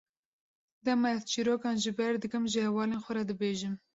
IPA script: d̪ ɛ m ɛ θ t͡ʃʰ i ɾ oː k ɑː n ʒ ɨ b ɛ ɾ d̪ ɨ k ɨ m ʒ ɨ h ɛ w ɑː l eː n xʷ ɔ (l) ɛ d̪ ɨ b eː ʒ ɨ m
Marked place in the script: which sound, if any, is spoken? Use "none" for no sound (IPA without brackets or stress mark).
ɾ